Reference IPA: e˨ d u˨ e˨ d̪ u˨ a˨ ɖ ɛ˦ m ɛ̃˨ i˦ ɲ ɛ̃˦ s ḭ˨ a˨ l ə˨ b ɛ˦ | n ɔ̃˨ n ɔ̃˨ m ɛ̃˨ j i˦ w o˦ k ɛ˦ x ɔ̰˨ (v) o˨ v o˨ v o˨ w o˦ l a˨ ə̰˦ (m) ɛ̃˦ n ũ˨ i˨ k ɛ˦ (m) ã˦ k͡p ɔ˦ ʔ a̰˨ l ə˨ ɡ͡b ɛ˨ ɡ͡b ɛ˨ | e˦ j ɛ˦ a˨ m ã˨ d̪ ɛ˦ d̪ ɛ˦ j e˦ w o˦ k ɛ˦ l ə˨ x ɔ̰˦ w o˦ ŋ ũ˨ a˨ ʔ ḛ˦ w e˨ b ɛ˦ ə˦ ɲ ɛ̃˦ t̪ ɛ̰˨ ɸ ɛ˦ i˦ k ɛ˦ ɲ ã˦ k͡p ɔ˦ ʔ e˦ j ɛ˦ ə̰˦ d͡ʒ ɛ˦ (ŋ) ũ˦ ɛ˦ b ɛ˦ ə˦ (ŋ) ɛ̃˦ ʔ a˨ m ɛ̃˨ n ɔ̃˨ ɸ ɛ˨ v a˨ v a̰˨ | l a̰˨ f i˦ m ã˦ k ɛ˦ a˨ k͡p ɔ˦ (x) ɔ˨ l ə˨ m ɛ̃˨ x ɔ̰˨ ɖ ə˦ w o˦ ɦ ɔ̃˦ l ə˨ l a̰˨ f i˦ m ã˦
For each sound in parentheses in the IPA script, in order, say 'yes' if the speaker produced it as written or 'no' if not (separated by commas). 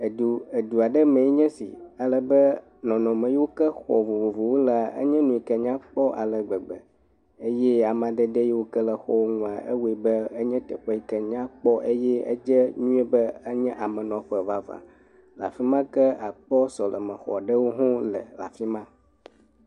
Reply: yes, no, no, no, no, no